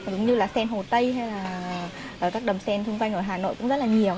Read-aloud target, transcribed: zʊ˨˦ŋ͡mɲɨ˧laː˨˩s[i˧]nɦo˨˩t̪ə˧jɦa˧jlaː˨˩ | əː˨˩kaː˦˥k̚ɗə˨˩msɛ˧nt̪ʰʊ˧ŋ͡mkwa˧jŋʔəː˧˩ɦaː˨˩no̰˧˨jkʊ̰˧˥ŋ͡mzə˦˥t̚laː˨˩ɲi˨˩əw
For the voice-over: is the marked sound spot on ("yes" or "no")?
no